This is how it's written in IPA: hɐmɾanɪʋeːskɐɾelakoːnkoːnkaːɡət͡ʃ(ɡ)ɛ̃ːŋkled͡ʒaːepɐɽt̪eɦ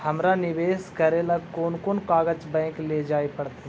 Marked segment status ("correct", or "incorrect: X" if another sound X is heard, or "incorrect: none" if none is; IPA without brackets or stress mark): incorrect: b